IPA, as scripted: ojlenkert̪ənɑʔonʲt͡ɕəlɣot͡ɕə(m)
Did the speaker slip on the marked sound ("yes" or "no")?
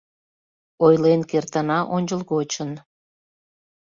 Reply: yes